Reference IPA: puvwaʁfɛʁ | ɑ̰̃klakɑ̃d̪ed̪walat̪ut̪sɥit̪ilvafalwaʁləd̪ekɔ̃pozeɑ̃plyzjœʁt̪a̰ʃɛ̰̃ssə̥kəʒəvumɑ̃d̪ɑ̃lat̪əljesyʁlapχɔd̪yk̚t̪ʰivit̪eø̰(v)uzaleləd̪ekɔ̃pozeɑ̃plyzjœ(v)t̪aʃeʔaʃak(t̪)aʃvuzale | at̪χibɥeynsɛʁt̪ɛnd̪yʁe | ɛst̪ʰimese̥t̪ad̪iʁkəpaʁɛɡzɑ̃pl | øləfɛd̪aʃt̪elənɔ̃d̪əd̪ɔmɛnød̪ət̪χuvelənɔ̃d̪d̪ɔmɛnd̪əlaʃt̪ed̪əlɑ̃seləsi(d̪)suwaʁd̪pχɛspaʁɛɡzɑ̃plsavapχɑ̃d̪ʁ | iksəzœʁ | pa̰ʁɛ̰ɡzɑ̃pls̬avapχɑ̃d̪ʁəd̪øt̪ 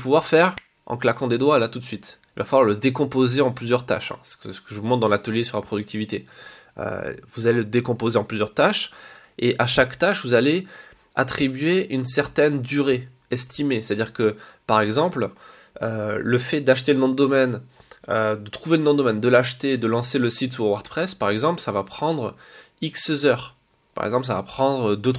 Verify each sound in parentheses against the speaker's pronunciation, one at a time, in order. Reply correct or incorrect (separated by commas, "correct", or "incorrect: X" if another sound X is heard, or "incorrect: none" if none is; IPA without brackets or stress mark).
correct, incorrect: ʁ, correct, incorrect: t̪